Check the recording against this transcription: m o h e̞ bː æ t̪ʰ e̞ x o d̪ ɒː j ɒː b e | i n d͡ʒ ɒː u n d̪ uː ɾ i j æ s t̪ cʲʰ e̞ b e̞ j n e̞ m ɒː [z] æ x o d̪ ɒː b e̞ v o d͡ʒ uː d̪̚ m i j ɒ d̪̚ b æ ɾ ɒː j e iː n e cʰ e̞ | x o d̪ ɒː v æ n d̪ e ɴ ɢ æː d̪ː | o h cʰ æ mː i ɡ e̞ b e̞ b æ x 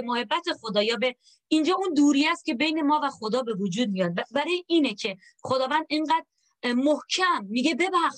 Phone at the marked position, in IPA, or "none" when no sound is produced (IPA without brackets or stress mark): v